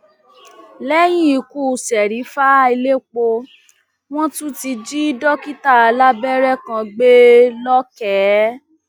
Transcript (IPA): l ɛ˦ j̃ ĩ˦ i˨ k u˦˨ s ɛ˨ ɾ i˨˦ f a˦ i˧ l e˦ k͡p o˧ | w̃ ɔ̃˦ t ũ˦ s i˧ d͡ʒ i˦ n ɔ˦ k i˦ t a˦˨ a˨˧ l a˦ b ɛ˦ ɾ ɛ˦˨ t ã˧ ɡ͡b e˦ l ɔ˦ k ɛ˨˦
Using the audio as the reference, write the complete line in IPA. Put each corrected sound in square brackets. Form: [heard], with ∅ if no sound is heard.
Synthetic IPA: l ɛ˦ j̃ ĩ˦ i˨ k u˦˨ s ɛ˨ ɾ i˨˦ f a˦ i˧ l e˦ k͡p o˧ | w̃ ɔ̃˦ t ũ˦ [t] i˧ d͡ʒ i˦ [d] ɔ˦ k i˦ t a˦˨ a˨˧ l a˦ b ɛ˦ ɾ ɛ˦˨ [k] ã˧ ɡ͡b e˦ l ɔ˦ k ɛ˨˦